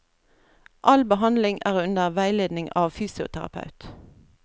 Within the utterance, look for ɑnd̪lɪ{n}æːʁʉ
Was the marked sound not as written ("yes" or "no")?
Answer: yes